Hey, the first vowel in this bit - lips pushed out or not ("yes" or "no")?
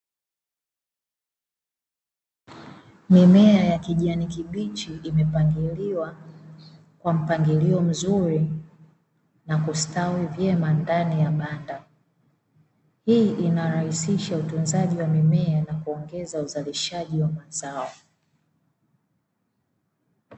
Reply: no